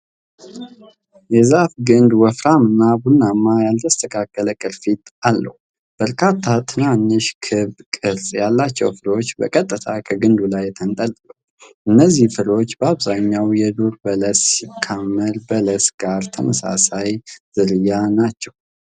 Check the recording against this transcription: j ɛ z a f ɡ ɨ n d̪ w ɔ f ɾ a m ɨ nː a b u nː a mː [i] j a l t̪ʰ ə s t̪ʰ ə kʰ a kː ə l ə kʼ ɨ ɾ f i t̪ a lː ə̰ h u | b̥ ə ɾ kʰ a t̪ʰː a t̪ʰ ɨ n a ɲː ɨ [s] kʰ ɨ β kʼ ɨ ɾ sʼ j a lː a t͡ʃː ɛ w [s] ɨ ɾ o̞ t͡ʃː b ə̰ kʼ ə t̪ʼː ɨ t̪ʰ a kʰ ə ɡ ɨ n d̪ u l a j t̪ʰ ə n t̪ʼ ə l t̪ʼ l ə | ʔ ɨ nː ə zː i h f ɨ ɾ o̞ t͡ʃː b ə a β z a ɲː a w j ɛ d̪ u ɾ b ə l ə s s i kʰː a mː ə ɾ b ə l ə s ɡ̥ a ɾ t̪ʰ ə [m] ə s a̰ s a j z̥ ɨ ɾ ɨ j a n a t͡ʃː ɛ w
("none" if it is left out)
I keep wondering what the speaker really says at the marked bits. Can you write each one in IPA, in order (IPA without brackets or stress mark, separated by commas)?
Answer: a, ʃ, f, m